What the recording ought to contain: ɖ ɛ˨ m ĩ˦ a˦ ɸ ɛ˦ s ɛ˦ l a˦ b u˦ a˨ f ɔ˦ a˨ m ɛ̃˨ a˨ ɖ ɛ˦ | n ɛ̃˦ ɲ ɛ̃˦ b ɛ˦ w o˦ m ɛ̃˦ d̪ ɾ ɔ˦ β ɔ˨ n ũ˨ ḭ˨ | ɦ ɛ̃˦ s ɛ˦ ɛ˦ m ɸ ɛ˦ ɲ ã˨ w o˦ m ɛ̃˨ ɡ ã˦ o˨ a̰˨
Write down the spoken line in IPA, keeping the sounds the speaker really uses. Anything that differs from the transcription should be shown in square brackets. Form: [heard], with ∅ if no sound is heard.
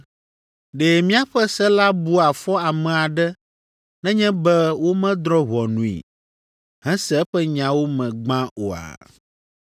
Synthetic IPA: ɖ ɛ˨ m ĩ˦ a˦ ɸ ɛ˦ s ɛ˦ l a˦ b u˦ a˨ f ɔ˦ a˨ m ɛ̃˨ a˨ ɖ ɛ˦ | n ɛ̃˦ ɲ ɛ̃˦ b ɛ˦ w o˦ m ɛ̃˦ d̪ ɾ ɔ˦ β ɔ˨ n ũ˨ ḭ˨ | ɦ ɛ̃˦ s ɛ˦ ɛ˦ [∅] ɸ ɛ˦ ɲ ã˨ w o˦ m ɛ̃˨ [ɡ͡b] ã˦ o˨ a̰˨